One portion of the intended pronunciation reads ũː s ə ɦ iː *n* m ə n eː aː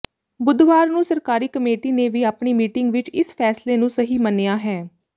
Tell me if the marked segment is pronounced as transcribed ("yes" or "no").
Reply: no